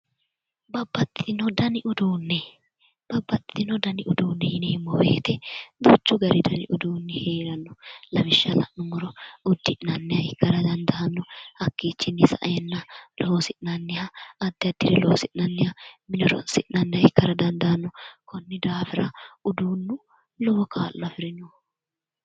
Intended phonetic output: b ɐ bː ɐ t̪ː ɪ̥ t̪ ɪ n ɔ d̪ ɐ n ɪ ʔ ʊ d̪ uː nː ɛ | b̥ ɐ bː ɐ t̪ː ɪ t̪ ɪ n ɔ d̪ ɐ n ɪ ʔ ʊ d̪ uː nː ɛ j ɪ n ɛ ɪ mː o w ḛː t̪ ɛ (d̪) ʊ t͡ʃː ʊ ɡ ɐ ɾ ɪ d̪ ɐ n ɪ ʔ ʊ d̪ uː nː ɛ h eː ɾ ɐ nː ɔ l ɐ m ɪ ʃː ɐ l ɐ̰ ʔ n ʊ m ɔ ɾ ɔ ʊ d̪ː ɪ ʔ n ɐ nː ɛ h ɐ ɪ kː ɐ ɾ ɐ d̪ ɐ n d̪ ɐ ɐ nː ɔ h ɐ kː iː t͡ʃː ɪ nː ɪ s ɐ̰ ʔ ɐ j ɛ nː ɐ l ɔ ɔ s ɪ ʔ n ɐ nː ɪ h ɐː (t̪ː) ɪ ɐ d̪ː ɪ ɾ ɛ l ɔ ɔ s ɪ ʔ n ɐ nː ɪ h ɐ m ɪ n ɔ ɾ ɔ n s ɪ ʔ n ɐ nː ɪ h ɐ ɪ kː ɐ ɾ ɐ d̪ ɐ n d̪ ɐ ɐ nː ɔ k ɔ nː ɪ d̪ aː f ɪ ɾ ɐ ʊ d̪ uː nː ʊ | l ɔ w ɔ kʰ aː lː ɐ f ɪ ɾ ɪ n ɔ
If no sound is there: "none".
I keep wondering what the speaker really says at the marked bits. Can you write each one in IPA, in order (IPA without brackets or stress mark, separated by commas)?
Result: d̪, d̪ː